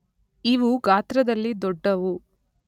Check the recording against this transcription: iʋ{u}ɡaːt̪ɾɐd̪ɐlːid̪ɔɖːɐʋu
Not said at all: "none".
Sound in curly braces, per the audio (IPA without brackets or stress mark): u